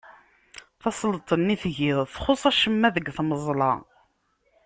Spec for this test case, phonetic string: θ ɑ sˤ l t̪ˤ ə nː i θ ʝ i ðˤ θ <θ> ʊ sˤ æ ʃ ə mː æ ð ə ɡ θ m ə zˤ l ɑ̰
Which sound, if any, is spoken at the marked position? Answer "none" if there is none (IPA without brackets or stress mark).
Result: χ